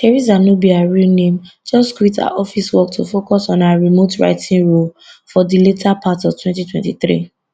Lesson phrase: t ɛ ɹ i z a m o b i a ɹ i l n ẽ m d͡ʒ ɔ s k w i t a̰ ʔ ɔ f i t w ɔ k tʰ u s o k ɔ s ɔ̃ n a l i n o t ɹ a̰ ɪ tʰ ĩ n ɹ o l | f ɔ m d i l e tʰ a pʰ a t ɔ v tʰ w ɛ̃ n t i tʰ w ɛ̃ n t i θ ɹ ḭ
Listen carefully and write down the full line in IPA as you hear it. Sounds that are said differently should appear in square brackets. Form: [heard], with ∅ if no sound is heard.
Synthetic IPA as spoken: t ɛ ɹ i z a [n] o b i a ɹ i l n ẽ m d͡ʒ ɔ s k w i t a̰ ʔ ɔ f i [s] w ɔ k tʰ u [f] o k ɔ s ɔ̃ n a [ɹ] i [m] o t ɹ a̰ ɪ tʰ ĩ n ɹ o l | f ɔ [∅] d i l e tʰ a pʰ a t ɔ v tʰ w ɛ̃ n t i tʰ w ɛ̃ n t i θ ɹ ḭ